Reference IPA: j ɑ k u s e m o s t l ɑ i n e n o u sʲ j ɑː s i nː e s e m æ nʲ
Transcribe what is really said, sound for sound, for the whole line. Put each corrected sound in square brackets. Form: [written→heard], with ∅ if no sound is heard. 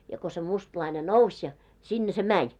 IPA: j ɑ k [u→o] s e m [o→u] s t l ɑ i n e n o u sʲ j [ɑː→ɑ] s i nː e s e m æ nʲ